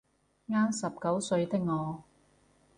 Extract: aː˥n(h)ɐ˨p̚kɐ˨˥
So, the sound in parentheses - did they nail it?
no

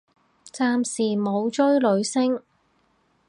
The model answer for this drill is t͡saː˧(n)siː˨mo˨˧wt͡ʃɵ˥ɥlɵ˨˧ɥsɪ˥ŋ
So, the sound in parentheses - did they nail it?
no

